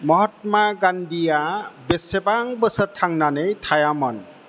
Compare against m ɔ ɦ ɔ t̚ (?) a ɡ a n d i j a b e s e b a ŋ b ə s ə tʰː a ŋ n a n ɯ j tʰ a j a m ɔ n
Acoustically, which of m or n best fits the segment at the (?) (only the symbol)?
m